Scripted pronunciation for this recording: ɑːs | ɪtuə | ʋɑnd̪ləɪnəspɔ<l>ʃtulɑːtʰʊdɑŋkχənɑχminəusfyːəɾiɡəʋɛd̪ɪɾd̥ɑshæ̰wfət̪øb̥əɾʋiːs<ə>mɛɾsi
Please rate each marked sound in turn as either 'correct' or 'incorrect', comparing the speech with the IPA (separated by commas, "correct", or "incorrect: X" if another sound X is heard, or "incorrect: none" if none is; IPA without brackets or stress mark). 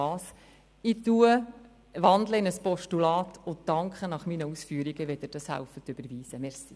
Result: incorrect: none, correct